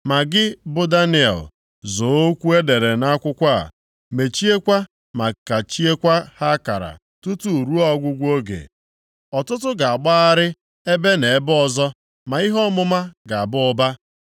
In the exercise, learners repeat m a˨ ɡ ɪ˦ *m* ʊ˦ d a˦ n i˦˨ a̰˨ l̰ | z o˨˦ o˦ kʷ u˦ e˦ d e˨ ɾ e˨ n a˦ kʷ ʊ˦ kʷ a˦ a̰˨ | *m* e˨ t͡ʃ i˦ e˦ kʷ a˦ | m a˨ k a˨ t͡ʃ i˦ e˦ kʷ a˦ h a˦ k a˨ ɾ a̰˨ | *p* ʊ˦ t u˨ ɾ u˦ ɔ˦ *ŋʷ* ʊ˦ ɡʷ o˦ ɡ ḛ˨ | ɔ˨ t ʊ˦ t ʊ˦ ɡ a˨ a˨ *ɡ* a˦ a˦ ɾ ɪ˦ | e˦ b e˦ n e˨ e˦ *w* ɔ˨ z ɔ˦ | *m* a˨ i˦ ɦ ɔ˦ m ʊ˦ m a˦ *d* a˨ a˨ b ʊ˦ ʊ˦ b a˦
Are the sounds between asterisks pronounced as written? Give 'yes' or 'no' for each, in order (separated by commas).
no, yes, no, no, no, no, yes, no